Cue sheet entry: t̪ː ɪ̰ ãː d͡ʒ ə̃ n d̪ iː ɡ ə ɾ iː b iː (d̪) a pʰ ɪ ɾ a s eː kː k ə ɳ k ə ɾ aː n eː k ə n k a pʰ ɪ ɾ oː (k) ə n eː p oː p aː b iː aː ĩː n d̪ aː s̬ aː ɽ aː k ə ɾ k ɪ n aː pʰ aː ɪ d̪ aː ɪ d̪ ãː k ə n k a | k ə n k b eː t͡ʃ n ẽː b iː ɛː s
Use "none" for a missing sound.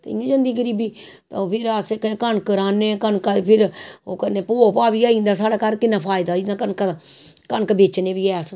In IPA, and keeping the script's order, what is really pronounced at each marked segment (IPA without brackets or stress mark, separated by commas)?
t̪, k